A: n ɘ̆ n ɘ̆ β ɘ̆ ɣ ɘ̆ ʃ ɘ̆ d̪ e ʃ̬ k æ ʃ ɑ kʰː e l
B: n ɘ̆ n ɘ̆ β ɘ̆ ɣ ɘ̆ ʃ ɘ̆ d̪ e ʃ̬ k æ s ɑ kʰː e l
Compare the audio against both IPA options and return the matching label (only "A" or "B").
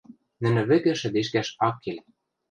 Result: A